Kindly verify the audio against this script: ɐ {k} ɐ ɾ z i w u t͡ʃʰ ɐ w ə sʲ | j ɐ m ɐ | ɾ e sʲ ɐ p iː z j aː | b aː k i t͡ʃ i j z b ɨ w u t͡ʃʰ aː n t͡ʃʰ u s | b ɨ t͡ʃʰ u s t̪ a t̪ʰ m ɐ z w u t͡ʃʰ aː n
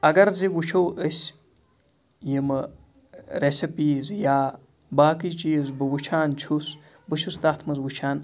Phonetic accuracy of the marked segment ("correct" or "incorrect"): incorrect